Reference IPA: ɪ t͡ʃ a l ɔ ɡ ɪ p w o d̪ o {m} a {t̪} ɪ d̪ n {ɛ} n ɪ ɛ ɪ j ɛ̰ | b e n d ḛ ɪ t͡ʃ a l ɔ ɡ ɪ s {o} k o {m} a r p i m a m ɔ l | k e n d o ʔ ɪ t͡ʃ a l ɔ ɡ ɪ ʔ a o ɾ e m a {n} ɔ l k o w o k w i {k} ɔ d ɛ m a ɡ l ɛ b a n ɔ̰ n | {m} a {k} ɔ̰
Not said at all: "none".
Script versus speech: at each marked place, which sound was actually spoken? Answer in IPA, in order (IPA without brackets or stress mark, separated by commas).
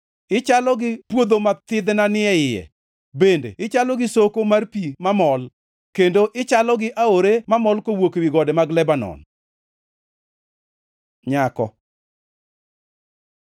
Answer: m, t̪, a, o, m, m, ɡ, ɲ, k